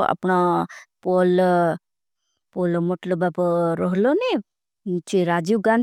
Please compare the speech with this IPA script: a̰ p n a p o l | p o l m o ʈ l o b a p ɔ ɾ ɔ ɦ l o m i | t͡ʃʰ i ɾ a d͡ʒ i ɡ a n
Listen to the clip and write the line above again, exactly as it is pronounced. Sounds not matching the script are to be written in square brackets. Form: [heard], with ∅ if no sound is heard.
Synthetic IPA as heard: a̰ p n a p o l | p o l m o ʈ l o b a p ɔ ɾ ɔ ɦ l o [n] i | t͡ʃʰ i ɾ a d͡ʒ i ɡ a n